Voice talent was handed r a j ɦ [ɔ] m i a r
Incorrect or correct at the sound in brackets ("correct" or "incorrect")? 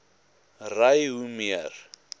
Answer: incorrect